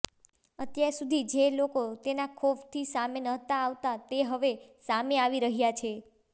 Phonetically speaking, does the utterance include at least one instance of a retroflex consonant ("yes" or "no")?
no